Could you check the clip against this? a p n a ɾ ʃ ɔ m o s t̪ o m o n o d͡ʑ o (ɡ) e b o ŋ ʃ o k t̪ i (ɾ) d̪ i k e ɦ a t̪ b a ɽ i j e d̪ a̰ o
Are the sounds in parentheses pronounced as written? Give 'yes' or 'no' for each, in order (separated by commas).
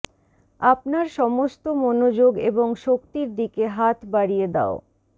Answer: yes, yes